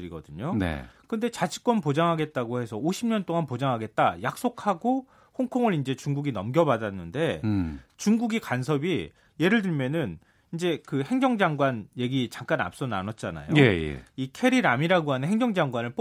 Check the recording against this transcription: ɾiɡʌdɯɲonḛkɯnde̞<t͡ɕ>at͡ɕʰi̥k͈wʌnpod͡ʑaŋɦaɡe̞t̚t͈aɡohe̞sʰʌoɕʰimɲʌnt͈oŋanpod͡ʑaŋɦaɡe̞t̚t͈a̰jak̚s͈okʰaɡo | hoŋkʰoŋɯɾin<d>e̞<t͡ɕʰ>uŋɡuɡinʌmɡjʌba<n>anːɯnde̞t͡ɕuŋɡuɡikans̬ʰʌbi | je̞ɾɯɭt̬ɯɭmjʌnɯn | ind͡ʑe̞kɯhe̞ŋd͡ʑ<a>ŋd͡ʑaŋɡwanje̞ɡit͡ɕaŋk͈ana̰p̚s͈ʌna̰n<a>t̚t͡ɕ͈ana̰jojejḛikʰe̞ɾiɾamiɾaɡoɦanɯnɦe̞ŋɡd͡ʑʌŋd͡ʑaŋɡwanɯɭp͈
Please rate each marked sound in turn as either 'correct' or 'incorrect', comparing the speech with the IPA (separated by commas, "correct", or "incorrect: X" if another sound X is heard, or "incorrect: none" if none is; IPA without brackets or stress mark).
correct, incorrect: d͡ʑ, incorrect: t͡ɕ, incorrect: d, incorrect: ʌ, incorrect: ʌ